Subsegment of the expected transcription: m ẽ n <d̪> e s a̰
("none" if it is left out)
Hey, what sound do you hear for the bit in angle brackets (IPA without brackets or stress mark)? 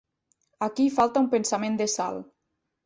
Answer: d̪